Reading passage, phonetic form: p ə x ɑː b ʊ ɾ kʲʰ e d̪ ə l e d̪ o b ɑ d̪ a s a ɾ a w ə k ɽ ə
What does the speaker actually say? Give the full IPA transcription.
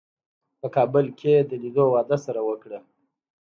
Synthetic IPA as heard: p ə k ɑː b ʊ l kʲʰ e d̪ ə l i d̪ o w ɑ d̪ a s a ɾ a w ə k ɽ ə